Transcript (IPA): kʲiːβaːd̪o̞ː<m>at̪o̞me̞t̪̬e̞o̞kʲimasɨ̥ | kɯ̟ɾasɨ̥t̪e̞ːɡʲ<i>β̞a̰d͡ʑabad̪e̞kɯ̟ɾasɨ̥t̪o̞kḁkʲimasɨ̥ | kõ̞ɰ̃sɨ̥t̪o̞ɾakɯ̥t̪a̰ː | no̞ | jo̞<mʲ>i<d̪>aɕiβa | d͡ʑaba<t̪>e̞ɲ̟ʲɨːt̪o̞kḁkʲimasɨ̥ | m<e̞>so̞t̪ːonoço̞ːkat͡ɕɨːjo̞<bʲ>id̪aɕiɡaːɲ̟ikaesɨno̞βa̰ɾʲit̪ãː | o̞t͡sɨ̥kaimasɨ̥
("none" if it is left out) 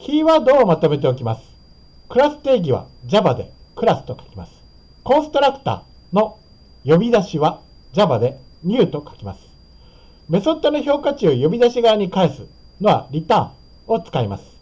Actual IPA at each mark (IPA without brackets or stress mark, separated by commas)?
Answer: m, i, bʲ, d̪, d̪, e̞, bʲ